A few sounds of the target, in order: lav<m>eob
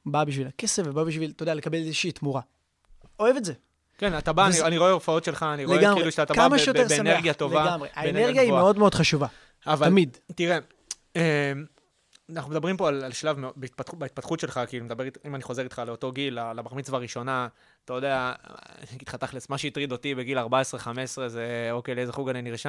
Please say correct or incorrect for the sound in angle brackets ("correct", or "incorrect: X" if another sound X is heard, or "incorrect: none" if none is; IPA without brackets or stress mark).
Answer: correct